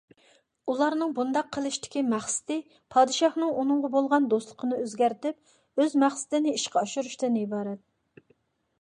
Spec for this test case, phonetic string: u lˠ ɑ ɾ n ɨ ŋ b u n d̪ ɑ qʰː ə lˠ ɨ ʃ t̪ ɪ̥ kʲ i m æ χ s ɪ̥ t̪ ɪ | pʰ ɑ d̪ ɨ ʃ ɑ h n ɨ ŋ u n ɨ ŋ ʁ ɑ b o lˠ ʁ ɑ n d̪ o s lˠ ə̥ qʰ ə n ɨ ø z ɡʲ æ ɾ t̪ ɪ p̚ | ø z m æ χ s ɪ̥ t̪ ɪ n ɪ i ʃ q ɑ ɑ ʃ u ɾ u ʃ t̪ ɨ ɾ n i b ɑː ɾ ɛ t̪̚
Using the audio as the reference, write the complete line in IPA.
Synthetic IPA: u lˠ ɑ ɾ n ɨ ŋ b u n d̪ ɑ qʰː ə lˠ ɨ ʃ t̪ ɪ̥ kʲ i m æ χ s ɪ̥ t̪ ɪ | pʰ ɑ d̪ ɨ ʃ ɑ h n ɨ ŋ u n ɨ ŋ ʁ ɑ b o lˠ ʁ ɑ n d̪ o s lˠ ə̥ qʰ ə n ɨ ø z ɡʲ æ ɾ t̪ ɪ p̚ | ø z m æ χ s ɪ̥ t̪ ɪ n ɪ i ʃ q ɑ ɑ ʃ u ɾ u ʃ t̪ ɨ n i b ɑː ɾ ɛ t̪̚